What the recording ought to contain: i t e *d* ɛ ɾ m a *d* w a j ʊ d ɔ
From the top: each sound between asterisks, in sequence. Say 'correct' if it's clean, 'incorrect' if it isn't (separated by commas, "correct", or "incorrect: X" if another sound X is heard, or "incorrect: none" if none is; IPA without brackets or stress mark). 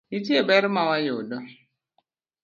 incorrect: b, incorrect: none